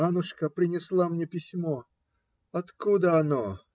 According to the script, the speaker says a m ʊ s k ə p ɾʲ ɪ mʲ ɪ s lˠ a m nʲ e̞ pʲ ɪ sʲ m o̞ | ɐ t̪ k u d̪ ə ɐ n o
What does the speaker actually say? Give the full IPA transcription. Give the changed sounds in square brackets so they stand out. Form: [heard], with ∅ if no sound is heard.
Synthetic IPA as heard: a [n] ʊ [ʂ] k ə p ɾʲ ɪ [nʲ] ɪ s lˠ a m nʲ e̞ pʲ ɪ sʲ m o̞ | ɐ t̪ k u d̪ ə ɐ n o